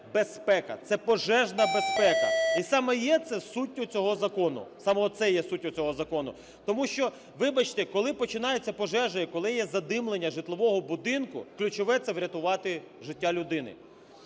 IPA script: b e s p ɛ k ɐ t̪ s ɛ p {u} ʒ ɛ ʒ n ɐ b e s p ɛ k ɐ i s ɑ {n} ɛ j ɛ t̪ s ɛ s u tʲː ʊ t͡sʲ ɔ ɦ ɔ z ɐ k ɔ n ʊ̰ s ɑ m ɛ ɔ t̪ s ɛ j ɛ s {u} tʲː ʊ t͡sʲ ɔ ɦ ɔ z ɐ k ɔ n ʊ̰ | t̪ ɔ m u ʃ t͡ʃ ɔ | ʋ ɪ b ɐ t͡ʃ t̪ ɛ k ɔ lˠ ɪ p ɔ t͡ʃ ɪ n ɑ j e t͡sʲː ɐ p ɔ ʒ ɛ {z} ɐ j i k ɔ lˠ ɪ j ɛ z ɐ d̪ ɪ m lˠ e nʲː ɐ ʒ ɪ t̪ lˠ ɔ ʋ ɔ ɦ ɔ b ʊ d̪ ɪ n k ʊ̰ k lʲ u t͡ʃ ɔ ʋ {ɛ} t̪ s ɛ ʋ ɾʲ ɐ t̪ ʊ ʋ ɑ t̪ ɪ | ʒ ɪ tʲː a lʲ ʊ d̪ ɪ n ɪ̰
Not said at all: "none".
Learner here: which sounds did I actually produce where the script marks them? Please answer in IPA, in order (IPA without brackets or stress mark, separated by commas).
ɔ, m, u, ʒ, ɛ